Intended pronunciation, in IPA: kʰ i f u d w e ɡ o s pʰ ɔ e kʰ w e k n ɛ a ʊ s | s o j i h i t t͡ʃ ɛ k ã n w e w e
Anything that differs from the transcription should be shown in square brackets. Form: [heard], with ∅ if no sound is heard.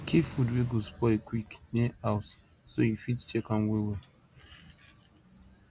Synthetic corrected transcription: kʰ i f u d w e ɡ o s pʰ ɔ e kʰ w [i] k n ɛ a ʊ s | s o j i [f] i t t͡ʃ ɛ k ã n w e w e